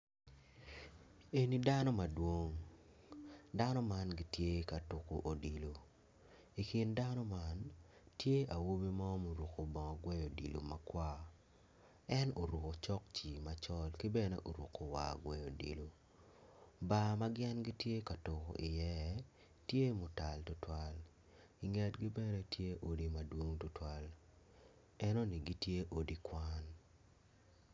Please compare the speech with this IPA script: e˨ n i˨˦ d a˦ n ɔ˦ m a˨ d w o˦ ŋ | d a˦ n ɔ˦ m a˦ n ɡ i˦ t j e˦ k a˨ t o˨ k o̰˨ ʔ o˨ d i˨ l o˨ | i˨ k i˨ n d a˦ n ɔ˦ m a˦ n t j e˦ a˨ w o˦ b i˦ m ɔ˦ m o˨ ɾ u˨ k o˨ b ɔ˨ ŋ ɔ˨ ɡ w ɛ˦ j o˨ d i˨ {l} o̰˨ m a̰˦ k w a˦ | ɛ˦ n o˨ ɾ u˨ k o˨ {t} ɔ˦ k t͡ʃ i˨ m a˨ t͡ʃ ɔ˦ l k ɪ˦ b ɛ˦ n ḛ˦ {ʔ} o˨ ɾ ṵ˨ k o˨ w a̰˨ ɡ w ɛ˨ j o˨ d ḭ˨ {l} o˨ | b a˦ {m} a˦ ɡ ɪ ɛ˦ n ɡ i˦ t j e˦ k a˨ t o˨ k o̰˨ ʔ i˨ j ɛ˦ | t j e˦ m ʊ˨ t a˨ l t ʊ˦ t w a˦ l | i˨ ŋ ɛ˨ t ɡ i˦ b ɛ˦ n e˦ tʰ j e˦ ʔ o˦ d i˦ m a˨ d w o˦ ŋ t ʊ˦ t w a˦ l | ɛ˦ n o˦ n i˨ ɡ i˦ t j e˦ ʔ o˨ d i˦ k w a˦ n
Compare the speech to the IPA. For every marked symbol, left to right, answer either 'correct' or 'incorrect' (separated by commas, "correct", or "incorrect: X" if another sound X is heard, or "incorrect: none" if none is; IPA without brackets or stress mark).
correct, incorrect: t͡ʃ, correct, correct, correct